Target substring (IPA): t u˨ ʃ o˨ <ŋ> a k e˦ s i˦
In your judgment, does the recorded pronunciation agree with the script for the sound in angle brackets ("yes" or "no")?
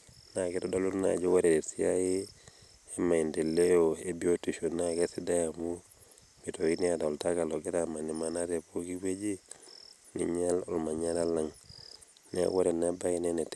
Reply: no